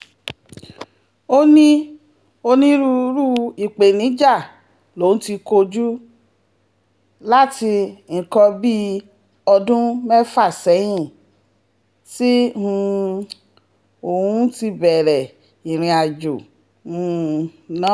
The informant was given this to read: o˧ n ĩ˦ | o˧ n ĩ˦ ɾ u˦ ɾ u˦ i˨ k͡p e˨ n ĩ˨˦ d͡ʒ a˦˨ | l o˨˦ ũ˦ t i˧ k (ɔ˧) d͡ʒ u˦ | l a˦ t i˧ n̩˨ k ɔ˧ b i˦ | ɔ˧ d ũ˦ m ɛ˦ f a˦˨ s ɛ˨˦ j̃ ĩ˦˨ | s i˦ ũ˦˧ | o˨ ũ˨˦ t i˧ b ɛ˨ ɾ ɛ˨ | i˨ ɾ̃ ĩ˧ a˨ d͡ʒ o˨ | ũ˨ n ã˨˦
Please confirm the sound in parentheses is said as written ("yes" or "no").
no